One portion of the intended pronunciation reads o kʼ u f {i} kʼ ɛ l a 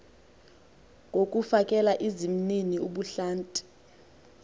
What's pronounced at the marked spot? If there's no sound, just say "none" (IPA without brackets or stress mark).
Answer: a